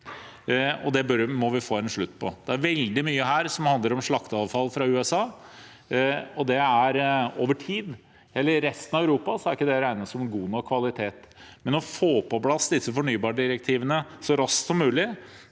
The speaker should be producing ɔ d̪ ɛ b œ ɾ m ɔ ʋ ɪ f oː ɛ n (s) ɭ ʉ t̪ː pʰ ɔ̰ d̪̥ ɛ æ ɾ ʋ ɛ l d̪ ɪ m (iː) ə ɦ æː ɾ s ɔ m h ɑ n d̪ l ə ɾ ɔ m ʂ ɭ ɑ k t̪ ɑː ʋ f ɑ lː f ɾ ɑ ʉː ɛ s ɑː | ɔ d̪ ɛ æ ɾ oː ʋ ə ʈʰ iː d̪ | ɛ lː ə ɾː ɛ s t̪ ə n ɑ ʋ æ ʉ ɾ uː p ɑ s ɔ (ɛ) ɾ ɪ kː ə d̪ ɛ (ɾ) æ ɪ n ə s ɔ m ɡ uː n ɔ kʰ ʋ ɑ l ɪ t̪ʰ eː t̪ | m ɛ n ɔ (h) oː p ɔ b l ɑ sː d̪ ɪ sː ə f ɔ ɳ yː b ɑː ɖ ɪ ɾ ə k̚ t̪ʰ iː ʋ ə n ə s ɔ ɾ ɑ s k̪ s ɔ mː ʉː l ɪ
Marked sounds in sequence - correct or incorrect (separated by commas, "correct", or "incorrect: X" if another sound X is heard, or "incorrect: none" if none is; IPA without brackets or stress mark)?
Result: incorrect: ʂ, incorrect: yː, incorrect: æ, correct, incorrect: f